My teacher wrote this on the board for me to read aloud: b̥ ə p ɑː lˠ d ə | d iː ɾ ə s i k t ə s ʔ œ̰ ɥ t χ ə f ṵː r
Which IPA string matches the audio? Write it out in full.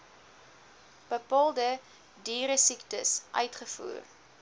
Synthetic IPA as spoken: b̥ ə p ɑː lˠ d ə | d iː ɾ ə s i k t ə s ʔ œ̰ ɥ t χ ə f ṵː r